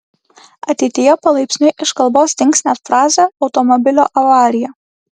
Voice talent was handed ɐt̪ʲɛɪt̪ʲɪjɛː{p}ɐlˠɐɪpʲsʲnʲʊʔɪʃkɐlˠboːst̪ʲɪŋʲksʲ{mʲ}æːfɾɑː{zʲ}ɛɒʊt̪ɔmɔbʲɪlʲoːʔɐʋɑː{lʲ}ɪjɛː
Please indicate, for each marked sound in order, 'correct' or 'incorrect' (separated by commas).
correct, incorrect, correct, incorrect